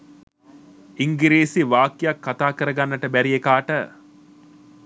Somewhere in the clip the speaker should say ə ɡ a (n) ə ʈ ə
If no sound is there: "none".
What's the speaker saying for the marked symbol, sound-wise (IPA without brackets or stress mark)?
nː